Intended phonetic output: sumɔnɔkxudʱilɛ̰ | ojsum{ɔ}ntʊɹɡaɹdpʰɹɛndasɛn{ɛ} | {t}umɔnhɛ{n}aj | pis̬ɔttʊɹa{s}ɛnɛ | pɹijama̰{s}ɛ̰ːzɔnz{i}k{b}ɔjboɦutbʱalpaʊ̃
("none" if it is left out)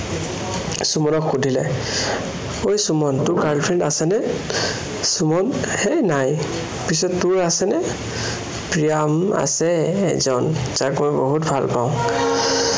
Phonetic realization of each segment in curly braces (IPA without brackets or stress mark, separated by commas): ɔ, ɛ, s, n, s, s, a, m